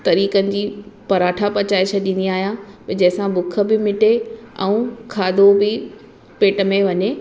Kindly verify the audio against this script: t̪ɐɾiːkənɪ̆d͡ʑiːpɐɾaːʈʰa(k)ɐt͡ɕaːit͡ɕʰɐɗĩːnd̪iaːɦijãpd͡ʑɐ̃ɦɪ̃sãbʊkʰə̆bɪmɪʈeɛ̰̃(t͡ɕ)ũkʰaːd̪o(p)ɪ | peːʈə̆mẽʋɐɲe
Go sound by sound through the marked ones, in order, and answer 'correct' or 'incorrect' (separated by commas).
incorrect, incorrect, incorrect